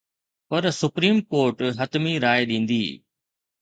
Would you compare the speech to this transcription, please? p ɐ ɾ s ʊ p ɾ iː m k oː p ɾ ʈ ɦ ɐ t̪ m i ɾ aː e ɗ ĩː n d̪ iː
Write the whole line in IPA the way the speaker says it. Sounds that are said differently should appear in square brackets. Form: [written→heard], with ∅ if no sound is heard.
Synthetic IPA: p ɐ ɾ s ʊ p ɾ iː m k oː [p→∅] ɾ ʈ ɦ ɐ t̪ m i ɾ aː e ɗ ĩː n d̪ iː